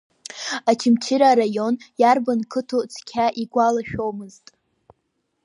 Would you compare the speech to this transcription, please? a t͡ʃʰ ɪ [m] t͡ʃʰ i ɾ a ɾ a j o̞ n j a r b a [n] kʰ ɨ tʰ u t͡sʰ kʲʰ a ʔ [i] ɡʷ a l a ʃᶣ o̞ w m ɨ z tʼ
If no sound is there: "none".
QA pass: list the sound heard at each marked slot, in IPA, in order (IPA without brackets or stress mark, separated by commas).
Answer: m, n, i